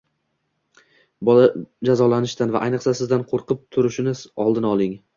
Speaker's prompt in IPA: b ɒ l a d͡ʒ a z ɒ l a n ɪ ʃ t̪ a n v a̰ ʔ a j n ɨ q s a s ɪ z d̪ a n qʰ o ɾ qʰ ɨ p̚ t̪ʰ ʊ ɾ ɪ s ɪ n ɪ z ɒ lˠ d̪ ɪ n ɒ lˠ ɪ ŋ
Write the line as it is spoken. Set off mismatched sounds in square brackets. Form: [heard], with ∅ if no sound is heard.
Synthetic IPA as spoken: b ɒ l a d͡ʒ a z ɒ l a n ɪ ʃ t̪ a n v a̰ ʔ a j n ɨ q s a s ɪ z d̪ a n qʰ o ɾ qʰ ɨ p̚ t̪ʰ ʊ ɾ ɪ [ʃ] ɪ n ɪ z ɒ lˠ d̪ ɪ n ɒ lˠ ɪ ŋ